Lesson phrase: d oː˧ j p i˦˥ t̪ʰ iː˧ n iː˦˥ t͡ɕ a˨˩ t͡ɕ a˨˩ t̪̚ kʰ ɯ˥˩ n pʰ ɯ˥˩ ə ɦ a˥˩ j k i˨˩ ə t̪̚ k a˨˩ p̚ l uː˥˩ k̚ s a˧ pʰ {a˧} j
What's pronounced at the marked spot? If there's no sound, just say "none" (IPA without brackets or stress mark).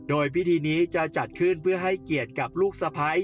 a˦˥